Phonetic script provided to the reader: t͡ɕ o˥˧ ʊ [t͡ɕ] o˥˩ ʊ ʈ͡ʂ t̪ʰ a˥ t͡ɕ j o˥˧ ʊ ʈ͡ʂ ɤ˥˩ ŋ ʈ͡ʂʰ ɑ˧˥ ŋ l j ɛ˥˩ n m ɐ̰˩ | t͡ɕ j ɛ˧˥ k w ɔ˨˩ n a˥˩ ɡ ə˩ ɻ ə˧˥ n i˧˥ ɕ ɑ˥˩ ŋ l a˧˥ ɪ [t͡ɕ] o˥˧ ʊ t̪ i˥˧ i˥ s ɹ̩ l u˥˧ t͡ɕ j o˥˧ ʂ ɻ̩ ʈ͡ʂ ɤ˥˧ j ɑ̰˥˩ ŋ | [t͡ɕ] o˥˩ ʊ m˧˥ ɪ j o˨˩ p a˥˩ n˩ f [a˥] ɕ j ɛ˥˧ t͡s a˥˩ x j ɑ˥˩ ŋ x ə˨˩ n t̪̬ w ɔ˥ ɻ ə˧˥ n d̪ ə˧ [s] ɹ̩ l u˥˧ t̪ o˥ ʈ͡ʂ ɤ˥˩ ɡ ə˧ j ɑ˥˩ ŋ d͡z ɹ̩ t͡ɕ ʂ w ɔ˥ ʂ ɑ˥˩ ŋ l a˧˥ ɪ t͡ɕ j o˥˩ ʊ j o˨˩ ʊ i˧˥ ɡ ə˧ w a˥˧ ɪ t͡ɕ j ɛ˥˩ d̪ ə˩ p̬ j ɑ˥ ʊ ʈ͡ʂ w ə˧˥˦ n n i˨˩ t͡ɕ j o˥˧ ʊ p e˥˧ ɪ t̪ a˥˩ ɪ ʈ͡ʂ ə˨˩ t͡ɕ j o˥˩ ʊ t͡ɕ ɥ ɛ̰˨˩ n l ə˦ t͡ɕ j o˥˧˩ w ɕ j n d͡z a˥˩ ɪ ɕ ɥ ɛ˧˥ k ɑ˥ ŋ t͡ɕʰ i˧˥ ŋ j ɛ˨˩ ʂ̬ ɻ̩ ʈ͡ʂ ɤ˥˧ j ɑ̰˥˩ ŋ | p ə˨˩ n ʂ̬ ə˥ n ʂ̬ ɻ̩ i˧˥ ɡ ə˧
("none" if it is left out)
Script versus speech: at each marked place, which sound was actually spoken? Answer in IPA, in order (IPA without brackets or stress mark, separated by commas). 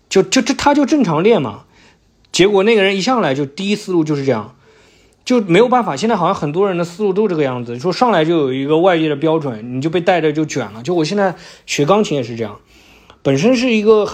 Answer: t͡ɕ, t͡ɕ, t͡ɕ, a˨˩, s